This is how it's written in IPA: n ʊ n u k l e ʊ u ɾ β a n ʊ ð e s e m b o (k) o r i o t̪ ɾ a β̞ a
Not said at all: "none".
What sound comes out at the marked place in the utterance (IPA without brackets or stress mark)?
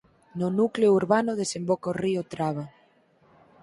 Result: k